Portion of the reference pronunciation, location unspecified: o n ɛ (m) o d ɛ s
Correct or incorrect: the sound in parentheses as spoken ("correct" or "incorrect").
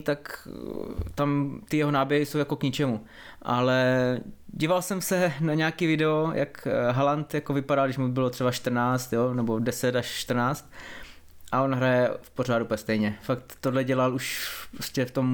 incorrect